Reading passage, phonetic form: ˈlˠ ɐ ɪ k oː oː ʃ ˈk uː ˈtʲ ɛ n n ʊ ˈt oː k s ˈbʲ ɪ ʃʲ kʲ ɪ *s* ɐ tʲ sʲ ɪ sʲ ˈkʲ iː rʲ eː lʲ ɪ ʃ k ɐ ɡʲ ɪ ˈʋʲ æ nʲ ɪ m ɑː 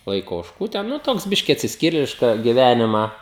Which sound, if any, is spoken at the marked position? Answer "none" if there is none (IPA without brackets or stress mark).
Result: none